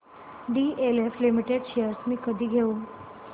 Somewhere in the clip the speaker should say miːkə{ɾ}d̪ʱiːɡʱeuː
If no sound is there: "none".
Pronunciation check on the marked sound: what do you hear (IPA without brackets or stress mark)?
none